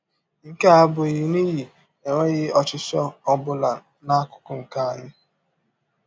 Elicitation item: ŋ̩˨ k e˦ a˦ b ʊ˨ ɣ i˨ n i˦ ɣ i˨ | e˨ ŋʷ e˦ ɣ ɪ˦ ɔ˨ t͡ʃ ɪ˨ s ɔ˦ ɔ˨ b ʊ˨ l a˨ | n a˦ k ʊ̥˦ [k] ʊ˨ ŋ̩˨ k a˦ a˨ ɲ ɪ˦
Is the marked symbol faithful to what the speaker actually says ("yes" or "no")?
yes